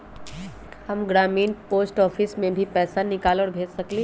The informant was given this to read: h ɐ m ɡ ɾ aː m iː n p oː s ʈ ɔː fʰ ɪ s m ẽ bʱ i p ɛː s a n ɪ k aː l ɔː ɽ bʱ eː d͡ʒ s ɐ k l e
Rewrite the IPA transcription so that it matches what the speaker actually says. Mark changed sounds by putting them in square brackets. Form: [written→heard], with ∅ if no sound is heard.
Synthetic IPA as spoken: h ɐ m ɡ ɾ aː m iː n p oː s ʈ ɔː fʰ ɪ s m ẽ bʱ i p ɛː s a n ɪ k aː l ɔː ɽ bʱ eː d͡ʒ s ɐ k l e